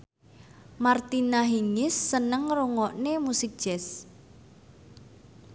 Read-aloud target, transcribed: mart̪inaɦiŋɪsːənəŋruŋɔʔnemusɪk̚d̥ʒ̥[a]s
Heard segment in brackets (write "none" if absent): ɛ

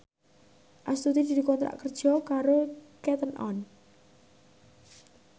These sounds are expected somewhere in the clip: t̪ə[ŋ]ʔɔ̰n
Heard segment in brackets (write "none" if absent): n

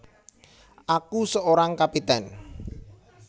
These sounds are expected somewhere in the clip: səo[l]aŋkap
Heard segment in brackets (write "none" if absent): ɾ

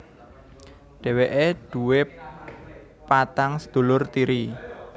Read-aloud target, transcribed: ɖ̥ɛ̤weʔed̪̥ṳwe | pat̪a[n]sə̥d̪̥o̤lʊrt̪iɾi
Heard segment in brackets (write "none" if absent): ŋ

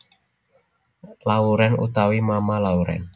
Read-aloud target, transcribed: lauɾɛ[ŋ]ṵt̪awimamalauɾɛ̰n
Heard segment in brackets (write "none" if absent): n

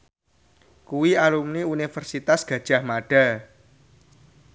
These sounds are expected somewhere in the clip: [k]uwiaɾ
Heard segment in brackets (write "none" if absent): k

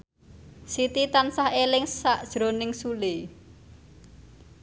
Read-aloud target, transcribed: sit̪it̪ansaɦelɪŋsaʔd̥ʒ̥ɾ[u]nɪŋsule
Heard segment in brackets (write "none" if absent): o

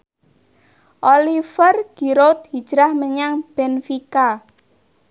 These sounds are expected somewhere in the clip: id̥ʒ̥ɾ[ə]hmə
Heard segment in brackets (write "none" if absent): a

